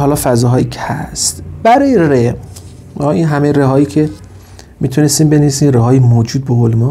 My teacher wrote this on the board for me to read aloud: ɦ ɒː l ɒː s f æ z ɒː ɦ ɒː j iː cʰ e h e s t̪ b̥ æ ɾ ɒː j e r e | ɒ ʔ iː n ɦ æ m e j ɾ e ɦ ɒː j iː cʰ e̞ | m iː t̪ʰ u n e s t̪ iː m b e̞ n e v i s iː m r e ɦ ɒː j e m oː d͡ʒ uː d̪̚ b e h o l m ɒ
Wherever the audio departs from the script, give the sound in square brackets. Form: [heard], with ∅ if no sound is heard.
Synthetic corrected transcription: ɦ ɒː l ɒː [∅] f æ z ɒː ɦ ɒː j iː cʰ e h [æ] s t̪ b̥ æ ɾ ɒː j e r e | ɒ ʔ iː n ɦ æ m e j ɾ e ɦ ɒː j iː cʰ e̞ | m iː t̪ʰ u n e s t̪ iː m b e̞ n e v i s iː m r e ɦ ɒː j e m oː d͡ʒ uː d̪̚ b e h o l m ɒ

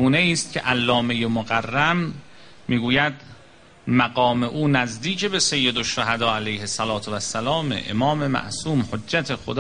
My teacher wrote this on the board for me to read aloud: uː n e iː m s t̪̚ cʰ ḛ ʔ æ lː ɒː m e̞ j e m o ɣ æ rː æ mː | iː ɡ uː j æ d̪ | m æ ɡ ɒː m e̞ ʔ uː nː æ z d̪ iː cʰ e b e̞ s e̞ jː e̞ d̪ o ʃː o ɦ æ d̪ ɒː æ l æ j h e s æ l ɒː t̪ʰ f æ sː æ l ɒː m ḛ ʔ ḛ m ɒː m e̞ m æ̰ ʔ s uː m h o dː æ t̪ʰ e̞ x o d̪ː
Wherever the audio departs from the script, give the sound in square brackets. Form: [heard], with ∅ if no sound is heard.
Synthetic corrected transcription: uː n e iː [∅] s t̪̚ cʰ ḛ ʔ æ lː ɒː m e̞ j e m o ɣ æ rː æ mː | iː ɡ uː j æ d̪ | m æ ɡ ɒː m e̞ ʔ uː [n] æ z d̪ iː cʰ e b e̞ s e̞ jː e̞ d̪ o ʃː o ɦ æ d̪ ɒː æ l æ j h e s æ l ɒː t̪ʰ [v] æ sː æ l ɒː m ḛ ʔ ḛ m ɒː m e̞ m æ̰ ʔ s uː m h o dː æ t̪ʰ e̞ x o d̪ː

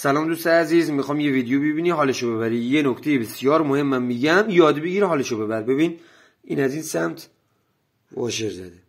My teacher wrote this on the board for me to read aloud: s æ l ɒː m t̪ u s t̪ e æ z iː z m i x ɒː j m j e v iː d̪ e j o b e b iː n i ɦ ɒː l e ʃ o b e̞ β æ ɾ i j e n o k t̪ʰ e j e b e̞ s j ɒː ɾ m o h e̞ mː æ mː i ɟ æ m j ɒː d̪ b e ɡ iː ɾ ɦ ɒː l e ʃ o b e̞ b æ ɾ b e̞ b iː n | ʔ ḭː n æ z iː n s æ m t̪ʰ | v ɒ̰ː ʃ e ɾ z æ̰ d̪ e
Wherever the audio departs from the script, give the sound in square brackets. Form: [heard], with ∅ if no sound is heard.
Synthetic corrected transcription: s æ l ɒː m [d̪] u s t̪ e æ z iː z m i x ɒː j m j e v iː d̪ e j o b e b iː n i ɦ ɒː l e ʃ o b e̞ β æ ɾ i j e n o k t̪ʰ e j e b e̞ s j ɒː ɾ m o h e̞ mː æ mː i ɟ æ m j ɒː d̪ b e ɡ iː ɾ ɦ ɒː l e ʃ o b e̞ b æ ɾ b e̞ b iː n | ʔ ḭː n æ z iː n s æ m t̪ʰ | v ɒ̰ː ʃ e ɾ z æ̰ d̪ e

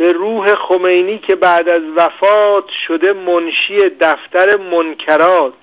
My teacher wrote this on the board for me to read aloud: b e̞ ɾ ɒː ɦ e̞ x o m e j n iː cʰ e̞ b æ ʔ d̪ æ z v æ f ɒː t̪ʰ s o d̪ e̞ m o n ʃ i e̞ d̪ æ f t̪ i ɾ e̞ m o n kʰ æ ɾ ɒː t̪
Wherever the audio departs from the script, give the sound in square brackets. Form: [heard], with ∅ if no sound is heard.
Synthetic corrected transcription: b e̞ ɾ [uː] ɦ e̞ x o m e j n iː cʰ e̞ b æ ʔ d̪ æ z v æ f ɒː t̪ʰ [ʃ] o d̪ e̞ m o n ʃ i e̞ d̪ æ f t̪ [æ] ɾ e̞ m o n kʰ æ ɾ ɒː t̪

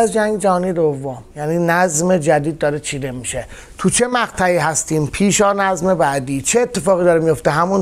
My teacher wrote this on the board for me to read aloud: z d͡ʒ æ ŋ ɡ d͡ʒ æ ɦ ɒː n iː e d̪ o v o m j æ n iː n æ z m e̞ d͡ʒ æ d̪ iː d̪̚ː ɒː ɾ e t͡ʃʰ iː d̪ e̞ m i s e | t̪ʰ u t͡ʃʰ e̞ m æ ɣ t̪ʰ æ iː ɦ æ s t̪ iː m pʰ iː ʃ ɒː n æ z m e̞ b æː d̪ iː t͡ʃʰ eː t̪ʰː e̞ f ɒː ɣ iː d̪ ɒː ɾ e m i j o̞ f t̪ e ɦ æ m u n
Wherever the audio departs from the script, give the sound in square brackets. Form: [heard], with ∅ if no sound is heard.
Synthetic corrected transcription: z d͡ʒ æ ŋ ɡ d͡ʒ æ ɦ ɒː n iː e d̪ o [vː] o m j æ n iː n æ z m e̞ d͡ʒ æ d̪ iː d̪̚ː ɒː ɾ e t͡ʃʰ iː d̪ e̞ m i [ʃ] e | t̪ʰ u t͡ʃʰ e̞ m æ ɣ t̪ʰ æ iː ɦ æ s t̪ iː m pʰ iː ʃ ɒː n æ z m e̞ b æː d̪ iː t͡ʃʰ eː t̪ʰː e̞ f ɒː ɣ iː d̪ ɒː ɾ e m i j o̞ f t̪ e ɦ æ m u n

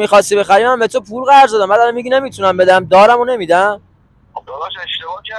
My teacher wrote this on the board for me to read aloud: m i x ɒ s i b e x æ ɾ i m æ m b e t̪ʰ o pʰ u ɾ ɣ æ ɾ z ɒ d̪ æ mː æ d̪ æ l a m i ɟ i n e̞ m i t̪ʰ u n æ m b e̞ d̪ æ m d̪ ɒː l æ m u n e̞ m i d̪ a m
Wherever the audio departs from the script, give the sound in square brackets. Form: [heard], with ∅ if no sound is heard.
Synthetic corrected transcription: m i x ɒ s i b e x æ ɾ i m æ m b e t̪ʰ o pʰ u ɾ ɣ æ ɾ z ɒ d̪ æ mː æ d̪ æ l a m i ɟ i n e̞ m i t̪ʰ u n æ m b e̞ d̪ æ m d̪ ɒː [ɾ] æ m [o] n e̞ m i d̪ [æ] m

